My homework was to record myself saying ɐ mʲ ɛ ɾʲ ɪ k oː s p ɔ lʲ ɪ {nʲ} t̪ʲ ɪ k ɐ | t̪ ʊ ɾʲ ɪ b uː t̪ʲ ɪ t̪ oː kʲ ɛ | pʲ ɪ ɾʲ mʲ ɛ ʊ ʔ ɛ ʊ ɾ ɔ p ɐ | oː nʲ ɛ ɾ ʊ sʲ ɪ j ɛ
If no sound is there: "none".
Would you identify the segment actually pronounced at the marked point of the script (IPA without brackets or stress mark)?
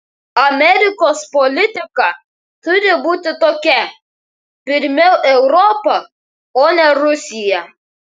none